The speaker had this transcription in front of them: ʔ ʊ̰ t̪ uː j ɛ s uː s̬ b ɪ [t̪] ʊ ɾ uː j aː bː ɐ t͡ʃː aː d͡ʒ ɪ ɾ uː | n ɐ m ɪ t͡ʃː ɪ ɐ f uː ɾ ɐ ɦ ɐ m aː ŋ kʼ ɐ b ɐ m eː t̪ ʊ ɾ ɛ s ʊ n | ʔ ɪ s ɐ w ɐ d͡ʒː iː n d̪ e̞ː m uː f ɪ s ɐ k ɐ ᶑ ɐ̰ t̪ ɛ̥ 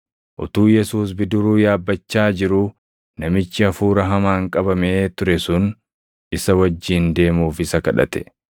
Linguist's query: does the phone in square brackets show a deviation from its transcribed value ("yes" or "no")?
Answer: yes